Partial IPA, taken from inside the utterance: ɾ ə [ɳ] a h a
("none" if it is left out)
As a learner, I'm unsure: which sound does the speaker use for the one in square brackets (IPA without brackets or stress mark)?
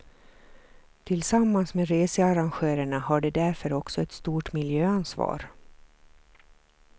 ɳ